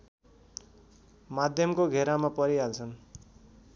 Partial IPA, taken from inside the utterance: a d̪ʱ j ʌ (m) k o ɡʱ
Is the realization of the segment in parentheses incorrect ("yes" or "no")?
no